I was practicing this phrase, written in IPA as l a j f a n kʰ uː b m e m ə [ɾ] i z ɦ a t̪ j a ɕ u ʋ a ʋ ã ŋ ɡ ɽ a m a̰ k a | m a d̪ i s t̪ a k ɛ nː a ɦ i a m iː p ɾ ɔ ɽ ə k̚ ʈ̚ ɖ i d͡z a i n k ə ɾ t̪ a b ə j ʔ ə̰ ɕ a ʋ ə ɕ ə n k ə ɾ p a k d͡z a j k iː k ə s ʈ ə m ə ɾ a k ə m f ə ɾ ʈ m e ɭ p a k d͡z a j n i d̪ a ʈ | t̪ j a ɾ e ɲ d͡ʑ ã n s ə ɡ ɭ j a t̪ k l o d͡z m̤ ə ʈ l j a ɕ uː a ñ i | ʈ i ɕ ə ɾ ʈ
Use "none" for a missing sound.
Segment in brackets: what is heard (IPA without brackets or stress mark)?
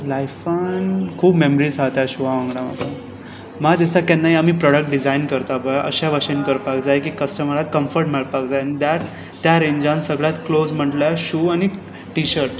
ɾ